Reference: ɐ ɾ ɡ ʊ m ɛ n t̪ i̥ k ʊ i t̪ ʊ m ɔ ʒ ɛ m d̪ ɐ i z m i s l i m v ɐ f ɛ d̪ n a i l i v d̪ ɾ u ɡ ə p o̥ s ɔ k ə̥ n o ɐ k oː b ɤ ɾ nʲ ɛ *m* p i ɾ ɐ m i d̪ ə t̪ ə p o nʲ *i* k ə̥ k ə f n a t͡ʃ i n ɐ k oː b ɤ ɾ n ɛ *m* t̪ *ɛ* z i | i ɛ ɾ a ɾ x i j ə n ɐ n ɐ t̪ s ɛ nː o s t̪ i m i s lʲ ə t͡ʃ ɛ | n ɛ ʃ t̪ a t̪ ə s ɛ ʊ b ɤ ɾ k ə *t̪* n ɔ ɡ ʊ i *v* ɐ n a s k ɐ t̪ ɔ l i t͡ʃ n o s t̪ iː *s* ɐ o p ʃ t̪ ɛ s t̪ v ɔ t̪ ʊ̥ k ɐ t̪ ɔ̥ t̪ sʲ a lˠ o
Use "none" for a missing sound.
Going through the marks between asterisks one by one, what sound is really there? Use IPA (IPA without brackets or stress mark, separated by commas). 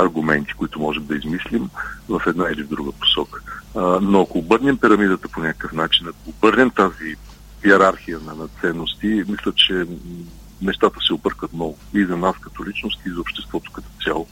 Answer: m, a, m, a, t̪, z, z